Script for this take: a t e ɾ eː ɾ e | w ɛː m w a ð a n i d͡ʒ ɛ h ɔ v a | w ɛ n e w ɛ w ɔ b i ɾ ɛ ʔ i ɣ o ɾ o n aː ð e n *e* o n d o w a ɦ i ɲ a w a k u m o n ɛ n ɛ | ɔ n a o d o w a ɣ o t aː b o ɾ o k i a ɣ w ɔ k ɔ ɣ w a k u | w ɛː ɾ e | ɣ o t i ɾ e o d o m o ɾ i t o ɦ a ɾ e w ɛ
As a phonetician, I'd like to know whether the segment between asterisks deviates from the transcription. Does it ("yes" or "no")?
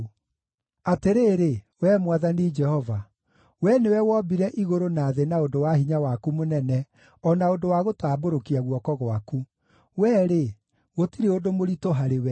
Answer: yes